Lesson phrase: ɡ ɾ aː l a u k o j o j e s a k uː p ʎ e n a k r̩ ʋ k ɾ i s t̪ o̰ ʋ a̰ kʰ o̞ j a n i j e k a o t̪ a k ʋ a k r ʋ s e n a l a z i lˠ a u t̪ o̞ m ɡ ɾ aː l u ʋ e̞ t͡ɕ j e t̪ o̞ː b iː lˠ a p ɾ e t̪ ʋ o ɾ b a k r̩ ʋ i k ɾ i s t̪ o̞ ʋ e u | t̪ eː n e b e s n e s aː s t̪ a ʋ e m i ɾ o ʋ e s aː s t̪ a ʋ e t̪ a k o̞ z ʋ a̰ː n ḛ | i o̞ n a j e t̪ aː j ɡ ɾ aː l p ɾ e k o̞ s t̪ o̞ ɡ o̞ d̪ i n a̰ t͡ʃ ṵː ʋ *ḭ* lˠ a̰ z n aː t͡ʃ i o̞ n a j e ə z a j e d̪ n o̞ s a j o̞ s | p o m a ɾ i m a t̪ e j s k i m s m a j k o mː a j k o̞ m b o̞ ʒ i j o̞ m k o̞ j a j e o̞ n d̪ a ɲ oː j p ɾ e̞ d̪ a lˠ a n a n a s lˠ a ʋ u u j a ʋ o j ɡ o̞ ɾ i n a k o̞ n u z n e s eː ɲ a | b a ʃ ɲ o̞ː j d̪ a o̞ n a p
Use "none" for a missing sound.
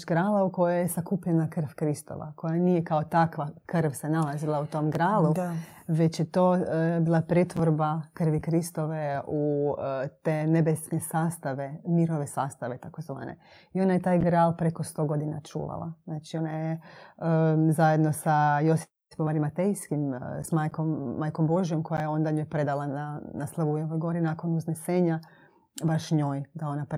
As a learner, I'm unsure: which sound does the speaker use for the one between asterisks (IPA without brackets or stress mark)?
a̰